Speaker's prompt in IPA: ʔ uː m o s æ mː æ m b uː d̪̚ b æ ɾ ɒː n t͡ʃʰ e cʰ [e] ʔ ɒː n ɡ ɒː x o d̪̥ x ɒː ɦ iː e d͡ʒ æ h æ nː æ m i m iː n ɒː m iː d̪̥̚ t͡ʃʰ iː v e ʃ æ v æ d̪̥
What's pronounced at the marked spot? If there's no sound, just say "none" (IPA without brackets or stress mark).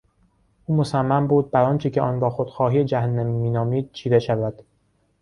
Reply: e